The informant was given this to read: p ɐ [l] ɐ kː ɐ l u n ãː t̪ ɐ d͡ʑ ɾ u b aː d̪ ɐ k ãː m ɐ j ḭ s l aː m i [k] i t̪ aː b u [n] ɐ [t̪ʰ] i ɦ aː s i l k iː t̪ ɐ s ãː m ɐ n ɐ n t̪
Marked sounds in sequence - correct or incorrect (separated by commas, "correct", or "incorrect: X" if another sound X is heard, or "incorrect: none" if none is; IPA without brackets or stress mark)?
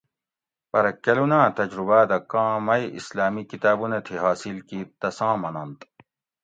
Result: incorrect: ɾ, correct, correct, correct